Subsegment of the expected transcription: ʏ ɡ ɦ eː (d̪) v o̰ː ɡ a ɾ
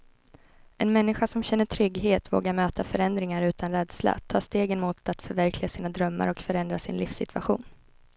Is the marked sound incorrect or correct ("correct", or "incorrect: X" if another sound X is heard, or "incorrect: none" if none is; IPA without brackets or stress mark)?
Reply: incorrect: t̪